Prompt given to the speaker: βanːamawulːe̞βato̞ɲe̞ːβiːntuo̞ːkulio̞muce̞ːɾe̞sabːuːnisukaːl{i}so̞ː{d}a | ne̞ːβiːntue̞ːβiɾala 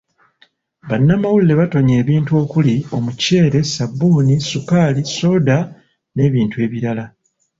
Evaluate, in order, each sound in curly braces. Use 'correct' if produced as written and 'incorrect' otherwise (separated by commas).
correct, correct